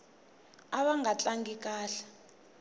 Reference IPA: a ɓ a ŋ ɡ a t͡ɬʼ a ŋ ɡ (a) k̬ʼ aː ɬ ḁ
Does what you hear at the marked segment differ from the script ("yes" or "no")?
yes